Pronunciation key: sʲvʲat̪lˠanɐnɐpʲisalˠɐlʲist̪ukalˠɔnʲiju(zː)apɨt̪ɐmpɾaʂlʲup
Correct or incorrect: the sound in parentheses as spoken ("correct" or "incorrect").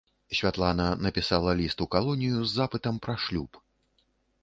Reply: correct